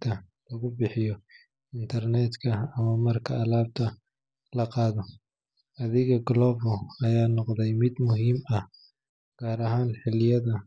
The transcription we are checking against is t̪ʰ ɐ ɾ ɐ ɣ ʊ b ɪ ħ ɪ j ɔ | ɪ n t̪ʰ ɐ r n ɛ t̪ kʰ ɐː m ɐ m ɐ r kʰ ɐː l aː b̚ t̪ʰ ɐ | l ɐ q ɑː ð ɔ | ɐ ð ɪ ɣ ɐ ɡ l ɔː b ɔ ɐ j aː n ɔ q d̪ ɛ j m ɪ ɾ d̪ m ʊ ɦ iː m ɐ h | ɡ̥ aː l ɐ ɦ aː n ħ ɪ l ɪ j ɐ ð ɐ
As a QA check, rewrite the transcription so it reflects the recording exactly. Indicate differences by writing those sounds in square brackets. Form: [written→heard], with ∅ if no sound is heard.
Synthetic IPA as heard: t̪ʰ ɐ [ɾ→l] ɐ ɣ ʊ b ɪ ħ ɪ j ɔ | ɪ n t̪ʰ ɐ r n ɛ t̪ kʰ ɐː m ɐ m ɐ r kʰ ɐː l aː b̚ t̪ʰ ɐ | l ɐ q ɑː ð ɔ | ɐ ð ɪ ɣ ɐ ɡ l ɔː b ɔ ɐ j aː n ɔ q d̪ ɛ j m ɪ [ɾ→∅] d̪ m ʊ ɦ iː m ɐ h | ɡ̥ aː [l→ɾ] ɐ ɦ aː n ħ ɪ l ɪ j ɐ ð ɐ